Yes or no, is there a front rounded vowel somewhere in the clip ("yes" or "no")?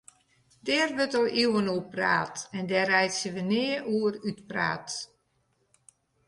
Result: yes